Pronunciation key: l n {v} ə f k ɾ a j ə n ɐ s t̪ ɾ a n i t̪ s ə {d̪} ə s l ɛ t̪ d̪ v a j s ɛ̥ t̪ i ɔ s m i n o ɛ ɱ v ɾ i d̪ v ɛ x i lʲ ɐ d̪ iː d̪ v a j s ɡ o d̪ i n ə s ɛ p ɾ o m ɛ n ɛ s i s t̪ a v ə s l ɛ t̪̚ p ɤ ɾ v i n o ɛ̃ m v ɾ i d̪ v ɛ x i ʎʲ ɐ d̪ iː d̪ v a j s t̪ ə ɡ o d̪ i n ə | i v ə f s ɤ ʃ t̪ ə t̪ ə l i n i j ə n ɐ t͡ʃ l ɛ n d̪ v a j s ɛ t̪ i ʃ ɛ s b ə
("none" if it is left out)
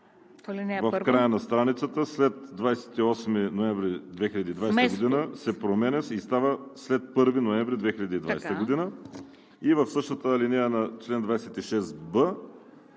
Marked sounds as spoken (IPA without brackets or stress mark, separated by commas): v, t̪